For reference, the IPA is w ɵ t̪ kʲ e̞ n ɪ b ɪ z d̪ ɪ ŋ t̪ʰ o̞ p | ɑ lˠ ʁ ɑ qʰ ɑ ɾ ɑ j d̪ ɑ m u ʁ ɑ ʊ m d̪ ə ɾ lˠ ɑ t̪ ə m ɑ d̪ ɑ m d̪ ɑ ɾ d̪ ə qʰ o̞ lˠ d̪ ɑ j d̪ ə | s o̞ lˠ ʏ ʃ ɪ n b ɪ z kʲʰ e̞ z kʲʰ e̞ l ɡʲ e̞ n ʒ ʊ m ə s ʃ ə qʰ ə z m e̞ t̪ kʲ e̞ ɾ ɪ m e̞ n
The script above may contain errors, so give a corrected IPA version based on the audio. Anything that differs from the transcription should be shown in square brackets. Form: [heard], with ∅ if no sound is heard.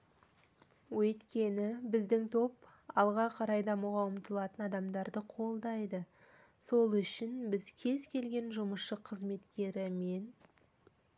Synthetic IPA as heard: w ɵ t̪ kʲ e̞ n ɪ b ɪ z d̪ ɪ ŋ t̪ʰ o̞ p | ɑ lˠ ʁ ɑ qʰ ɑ ɾ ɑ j d̪ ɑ m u ʁ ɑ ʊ m [t̪] ə [∅] lˠ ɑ t̪ ə [n] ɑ d̪ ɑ m d̪ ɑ ɾ d̪ ə qʰ o̞ lˠ d̪ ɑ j d̪ ə | s o̞ lˠ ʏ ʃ ɪ n b ɪ z kʲʰ e̞ z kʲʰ e̞ l ɡʲ e̞ n ʒ ʊ m ə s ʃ ə qʰ ə z m e̞ t̪ kʲ e̞ ɾ ɪ m e̞ n

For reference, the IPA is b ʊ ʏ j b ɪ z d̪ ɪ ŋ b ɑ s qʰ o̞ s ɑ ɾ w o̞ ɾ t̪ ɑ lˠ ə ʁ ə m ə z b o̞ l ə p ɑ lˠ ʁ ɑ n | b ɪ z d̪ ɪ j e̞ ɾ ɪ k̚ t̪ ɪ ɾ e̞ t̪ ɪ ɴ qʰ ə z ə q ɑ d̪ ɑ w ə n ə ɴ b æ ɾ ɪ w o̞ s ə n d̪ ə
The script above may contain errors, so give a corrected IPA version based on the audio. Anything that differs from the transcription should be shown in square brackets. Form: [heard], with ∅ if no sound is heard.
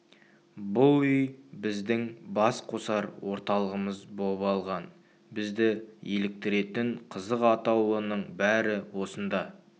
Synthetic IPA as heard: b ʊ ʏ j b ɪ z d̪ ɪ ŋ b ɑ s qʰ o̞ s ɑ ɾ w o̞ ɾ t̪ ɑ lˠ ə ʁ ə m ə z b o̞ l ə p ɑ lˠ ʁ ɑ n | b ɪ z d̪ ɪ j e̞ [l] ɪ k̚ t̪ ɪ ɾ e̞ t̪ ɪ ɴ qʰ ə z ə q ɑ [t̪] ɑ w ə n ə ɴ b æ ɾ ɪ w o̞ s ə n d̪ [ɑ]

